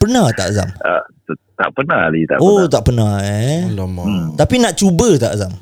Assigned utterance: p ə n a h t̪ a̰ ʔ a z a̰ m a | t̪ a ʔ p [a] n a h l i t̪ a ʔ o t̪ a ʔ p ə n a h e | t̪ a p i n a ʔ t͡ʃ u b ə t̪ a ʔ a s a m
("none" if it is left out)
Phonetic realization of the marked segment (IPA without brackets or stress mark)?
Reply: ə